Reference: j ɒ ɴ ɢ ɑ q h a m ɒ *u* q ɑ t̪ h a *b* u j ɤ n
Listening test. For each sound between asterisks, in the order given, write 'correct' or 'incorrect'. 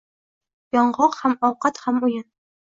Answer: incorrect, incorrect

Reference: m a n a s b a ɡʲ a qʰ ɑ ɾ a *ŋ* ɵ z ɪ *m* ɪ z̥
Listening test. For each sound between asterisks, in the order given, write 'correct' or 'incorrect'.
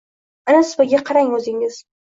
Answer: correct, incorrect

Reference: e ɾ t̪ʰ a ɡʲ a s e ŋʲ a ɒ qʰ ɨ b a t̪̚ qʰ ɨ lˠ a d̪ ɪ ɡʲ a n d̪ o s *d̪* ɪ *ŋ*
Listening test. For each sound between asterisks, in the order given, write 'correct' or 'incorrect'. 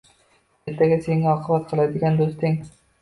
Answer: incorrect, correct

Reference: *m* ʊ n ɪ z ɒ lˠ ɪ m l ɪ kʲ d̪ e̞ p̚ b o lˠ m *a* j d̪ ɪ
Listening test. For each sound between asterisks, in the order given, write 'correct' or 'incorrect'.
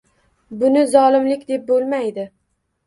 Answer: incorrect, correct

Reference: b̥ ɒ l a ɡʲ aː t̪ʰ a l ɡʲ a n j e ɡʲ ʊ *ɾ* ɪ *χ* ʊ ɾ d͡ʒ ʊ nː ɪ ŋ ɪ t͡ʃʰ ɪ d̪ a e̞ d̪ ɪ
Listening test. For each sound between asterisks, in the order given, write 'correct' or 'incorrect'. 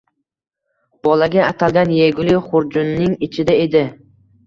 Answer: incorrect, correct

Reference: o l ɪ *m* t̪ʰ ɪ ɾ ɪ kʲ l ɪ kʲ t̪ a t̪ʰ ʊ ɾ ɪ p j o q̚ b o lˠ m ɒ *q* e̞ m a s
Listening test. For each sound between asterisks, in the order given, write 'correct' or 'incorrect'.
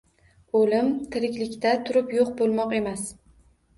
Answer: correct, correct

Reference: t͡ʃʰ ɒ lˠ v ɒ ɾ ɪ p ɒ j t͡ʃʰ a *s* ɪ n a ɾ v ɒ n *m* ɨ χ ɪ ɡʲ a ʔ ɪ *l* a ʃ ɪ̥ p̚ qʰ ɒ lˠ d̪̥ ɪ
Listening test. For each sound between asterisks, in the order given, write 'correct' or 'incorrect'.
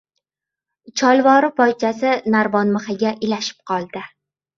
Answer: correct, correct, correct

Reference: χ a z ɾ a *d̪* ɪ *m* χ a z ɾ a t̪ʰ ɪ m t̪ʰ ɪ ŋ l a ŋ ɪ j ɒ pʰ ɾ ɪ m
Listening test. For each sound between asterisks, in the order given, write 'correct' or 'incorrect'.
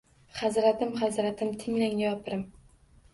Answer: incorrect, correct

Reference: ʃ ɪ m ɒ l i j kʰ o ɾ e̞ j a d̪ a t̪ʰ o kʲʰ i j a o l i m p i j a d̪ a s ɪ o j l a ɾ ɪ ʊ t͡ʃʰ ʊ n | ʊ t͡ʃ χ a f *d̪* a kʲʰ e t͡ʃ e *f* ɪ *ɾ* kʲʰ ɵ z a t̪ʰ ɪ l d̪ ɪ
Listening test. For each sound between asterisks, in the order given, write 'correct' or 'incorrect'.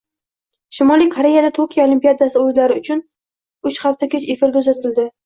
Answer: incorrect, correct, correct

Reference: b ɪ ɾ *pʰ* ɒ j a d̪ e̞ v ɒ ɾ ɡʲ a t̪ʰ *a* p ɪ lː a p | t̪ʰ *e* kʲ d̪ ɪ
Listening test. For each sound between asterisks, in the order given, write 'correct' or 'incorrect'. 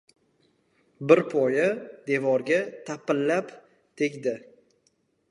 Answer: correct, correct, correct

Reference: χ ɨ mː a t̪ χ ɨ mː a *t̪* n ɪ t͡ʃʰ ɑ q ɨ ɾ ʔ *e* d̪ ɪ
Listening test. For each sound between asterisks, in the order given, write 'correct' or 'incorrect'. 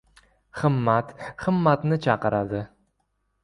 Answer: correct, incorrect

